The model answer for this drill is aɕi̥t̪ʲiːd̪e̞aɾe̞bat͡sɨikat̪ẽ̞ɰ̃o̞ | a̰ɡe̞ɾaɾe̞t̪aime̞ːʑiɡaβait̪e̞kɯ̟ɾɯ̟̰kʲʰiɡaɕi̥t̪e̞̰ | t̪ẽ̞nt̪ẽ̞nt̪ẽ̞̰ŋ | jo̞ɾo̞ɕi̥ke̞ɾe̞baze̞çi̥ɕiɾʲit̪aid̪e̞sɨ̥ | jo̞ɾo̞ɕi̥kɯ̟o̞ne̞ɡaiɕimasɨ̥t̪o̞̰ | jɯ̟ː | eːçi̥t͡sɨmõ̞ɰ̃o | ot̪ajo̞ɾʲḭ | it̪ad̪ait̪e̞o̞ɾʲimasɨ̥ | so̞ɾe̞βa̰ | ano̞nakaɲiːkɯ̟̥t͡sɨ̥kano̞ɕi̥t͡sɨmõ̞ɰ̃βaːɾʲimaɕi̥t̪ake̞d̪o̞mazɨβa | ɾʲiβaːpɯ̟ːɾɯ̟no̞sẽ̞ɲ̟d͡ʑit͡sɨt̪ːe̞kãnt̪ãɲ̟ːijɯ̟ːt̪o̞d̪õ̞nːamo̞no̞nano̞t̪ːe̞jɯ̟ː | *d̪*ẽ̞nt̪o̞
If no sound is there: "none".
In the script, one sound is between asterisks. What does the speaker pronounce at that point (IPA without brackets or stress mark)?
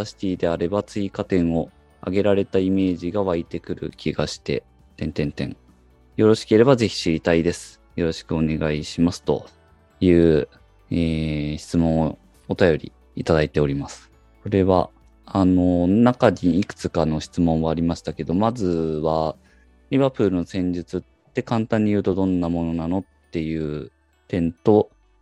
t̪